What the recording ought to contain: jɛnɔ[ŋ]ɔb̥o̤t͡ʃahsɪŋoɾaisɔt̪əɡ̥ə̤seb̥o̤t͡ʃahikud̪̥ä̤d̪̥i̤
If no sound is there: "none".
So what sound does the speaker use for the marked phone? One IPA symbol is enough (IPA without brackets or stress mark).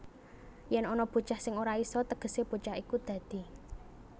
n